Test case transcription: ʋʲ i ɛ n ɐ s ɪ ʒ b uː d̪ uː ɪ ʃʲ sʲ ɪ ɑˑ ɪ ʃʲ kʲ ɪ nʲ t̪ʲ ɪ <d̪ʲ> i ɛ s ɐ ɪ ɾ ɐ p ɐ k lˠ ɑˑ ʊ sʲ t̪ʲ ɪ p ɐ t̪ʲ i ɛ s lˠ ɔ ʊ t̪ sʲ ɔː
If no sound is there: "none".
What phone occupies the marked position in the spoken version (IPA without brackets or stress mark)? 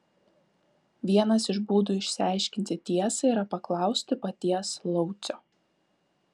t̪ʲ